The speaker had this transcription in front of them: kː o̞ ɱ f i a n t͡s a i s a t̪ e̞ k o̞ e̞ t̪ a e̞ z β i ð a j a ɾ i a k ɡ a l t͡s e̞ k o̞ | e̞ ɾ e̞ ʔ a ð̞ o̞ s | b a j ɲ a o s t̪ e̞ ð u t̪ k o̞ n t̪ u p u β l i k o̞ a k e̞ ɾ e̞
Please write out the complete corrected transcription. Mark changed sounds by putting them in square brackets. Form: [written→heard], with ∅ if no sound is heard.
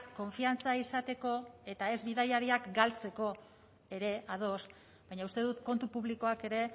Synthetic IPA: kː o̞ ɱ f i a n t͡s a i s a t̪ e̞ k o̞ e̞ t̪ a e̞ z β i ð a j a ɾ i a k ɡ a l t͡s e̞ k o̞ | e̞ ɾ e̞ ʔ a ð̞ o̞ s | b a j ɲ a [o→u] s t̪ e̞ ð u t̪ k o̞ n t̪ u p u β l i k o̞ a k e̞ ɾ e̞